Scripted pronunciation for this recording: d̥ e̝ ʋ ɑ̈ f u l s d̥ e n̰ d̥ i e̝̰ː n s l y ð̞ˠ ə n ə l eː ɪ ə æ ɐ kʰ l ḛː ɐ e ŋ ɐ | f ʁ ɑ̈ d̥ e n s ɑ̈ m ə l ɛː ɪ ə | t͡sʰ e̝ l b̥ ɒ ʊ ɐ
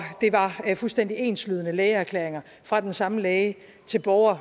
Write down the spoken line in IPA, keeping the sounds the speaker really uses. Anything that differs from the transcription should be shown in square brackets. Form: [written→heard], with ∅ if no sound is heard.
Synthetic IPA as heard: d̥ e̝ ʋ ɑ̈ f u l s d̥ e n̰ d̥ i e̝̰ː n s l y ð̞ˠ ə n ə l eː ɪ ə æ ɐ kʰ l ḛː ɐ e ŋ ɐ | f ʁ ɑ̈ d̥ e n s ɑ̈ m ə l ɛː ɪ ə | t͡sʰ e̝ l b̥ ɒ ʊ ɐ